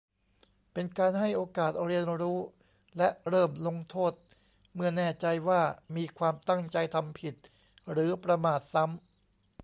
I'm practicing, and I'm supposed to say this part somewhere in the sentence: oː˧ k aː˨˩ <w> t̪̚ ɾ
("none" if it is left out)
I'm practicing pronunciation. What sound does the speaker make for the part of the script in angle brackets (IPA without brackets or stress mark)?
none